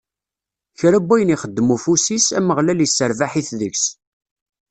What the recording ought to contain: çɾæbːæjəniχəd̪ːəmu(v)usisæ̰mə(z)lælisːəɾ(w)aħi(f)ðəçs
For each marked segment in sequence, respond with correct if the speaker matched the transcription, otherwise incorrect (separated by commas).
incorrect, incorrect, incorrect, incorrect